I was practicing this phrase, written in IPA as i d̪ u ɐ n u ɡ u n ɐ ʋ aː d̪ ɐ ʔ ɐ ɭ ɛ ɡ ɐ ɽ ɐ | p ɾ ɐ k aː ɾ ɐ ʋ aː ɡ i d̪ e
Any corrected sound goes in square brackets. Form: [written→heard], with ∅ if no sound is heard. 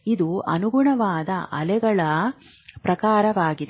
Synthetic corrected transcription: i d̪ u ɐ n u ɡ u [n→ɳ] ɐ ʋ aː d̪ ɐ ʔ ɐ [ɭ→l] ɛ ɡ ɐ [ɽ→ɭ] ɐ | p ɾ ɐ k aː ɾ ɐ ʋ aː ɡ i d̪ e